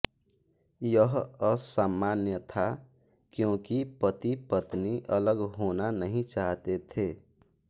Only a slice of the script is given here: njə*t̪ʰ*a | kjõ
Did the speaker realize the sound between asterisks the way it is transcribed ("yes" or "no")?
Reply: yes